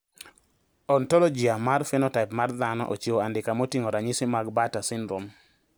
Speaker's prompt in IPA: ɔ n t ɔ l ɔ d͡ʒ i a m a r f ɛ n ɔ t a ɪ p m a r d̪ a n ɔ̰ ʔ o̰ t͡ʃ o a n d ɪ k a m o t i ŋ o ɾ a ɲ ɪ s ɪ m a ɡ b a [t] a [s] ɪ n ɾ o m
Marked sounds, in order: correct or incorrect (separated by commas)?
correct, correct